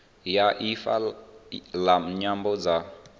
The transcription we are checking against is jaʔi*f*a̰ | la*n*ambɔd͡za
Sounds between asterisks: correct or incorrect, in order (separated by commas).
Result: correct, incorrect